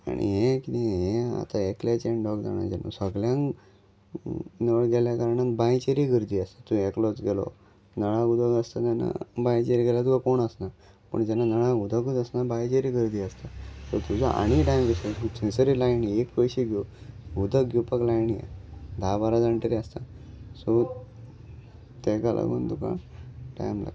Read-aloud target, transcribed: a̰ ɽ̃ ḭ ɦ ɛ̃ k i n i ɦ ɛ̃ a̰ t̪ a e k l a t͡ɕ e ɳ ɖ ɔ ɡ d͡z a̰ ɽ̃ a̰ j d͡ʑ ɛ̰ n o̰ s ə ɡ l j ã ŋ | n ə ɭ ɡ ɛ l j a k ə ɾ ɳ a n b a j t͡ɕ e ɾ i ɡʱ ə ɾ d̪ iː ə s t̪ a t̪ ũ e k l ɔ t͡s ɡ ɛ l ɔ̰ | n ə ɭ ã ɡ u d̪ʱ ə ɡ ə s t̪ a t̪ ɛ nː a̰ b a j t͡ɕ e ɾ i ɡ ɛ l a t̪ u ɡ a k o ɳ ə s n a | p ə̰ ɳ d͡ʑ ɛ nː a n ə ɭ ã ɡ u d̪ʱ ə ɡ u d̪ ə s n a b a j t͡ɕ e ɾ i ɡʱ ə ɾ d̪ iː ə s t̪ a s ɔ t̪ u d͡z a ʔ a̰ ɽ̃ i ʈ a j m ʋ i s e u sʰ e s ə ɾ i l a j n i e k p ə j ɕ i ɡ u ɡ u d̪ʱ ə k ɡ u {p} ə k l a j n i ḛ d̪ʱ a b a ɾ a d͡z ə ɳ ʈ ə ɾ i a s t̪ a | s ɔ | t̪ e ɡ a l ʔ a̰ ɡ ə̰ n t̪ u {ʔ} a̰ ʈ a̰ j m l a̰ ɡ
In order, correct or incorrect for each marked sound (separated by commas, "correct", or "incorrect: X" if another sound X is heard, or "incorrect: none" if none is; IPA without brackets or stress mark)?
correct, incorrect: k